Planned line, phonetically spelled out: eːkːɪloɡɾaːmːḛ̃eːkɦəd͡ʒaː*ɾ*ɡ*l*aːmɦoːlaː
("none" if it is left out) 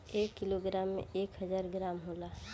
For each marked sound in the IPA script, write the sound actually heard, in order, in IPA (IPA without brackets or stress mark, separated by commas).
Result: ɾ, ɾ